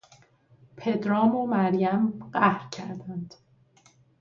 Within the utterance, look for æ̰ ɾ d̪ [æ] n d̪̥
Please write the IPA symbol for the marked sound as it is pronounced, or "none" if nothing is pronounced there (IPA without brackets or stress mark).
æ